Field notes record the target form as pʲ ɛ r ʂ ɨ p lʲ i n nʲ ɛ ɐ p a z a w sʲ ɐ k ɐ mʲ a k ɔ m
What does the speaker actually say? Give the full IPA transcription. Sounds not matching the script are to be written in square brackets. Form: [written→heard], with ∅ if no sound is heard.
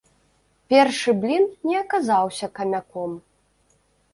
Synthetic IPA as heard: pʲ ɛ r ʂ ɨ [p→b] lʲ i n nʲ ɛ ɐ [p→k] a z a w sʲ ɐ k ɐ mʲ a k ɔ m